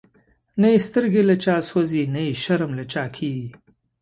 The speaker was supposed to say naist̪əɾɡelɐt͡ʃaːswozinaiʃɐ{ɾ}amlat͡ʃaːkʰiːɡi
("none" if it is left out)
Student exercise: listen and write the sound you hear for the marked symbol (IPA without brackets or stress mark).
ɾ